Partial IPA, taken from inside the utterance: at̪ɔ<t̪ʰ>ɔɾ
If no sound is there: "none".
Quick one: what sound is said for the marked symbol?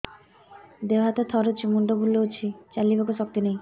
t̪ʰ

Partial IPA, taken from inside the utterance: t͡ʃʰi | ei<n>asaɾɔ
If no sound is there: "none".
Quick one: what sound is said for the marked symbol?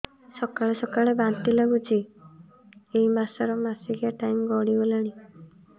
m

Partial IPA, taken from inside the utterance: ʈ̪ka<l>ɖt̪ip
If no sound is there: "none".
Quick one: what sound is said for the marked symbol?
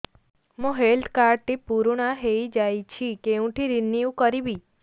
ɾ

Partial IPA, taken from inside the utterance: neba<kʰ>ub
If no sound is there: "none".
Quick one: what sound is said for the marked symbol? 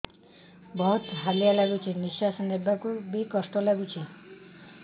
k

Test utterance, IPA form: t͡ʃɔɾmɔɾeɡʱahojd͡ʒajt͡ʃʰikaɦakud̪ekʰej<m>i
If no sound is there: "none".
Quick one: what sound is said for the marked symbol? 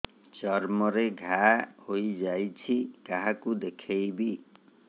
b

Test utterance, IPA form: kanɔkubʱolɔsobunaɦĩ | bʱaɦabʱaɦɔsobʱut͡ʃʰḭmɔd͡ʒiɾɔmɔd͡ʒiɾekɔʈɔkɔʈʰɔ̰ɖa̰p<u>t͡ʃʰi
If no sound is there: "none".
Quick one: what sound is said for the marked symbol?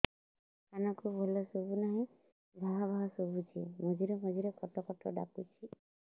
u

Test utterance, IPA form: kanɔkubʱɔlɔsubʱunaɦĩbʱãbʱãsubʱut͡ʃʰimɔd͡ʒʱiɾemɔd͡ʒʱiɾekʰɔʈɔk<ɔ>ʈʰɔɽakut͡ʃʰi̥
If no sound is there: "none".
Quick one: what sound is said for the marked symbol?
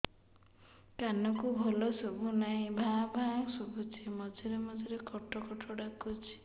ɔ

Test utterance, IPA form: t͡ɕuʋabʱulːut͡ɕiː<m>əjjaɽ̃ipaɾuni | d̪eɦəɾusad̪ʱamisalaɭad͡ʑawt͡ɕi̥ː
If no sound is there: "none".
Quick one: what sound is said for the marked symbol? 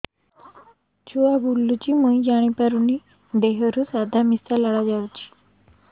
m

